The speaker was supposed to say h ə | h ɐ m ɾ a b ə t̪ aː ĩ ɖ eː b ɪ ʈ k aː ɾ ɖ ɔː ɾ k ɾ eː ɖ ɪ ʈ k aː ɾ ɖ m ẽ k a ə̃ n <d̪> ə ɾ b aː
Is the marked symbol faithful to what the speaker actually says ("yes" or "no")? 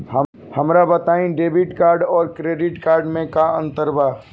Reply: no